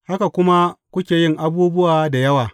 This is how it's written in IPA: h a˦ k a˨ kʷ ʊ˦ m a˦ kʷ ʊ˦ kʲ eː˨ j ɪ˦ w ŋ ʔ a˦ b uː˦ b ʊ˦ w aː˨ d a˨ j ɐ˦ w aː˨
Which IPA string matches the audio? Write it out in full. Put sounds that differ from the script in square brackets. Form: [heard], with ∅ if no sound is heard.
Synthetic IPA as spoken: h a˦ k a˨ kʷ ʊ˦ m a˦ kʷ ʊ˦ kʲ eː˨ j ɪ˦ [∅] ŋ ʔ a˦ b uː˦ b ʊ˦ w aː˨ d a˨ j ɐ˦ w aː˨